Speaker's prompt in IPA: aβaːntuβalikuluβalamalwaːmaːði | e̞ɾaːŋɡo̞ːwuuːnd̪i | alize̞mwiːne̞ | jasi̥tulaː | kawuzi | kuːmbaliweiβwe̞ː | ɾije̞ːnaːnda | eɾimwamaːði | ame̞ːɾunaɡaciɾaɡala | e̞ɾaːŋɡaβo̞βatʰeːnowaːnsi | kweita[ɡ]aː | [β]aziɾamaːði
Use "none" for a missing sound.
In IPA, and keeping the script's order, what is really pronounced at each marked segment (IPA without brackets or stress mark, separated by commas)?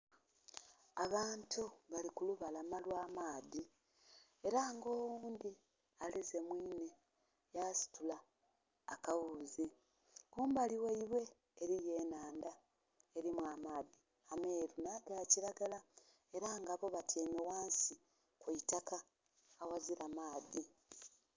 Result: k, w